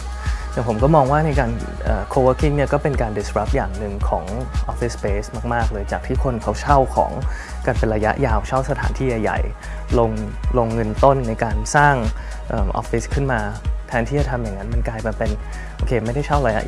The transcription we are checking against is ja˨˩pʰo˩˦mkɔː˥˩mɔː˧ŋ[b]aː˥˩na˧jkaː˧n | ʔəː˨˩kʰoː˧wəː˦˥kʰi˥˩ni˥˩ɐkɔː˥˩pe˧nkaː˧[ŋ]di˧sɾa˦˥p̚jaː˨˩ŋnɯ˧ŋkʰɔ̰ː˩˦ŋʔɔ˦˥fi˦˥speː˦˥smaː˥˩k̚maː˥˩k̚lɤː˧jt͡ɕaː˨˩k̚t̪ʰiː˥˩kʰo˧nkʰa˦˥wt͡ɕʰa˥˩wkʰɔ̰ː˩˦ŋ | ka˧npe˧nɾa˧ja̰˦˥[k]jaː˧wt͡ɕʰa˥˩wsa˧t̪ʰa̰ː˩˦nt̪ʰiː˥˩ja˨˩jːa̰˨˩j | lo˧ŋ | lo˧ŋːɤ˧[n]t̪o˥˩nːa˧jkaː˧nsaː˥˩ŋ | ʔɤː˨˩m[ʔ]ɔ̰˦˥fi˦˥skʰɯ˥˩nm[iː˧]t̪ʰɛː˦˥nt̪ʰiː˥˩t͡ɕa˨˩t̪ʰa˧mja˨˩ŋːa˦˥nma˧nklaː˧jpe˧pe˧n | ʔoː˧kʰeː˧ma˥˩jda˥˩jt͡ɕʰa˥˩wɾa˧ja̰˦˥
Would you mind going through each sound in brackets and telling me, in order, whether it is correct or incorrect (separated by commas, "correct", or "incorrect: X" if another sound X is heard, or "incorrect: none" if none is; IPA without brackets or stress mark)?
incorrect: w, incorrect: n, incorrect: ʔ, correct, correct, incorrect: aː˧